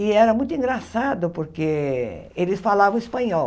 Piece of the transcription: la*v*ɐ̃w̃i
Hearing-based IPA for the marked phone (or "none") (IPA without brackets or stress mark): v